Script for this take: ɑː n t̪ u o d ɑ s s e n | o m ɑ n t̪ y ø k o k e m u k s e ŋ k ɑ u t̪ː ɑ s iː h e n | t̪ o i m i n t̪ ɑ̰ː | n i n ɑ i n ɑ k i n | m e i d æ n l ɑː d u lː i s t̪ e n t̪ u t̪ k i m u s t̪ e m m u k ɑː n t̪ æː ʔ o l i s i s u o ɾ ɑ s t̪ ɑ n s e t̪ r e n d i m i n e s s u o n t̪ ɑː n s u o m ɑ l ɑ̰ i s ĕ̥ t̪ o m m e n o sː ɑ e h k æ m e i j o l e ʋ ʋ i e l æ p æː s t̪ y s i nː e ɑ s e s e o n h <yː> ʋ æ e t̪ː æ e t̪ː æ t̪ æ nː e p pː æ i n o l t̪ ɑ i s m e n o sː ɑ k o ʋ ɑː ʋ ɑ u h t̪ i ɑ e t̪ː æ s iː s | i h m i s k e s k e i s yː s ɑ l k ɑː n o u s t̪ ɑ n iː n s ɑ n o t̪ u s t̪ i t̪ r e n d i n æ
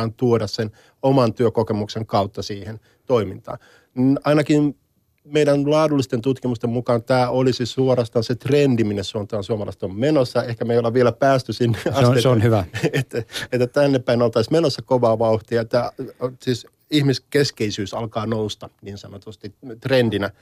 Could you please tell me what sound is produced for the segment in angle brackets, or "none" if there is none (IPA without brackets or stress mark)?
y